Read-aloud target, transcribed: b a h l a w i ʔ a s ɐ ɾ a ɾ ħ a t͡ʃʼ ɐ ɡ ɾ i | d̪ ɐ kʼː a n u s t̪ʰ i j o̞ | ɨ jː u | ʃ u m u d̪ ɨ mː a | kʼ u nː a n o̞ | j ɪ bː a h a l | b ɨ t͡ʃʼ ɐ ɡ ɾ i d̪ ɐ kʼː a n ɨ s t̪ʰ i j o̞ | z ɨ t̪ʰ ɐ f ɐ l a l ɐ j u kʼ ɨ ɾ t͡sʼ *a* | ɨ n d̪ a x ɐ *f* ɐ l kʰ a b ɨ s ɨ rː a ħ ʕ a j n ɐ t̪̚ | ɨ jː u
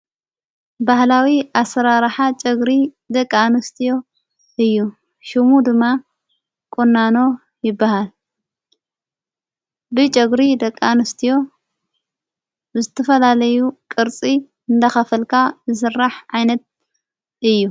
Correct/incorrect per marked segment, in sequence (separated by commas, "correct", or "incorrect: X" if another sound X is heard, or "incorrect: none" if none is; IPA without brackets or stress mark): incorrect: i, correct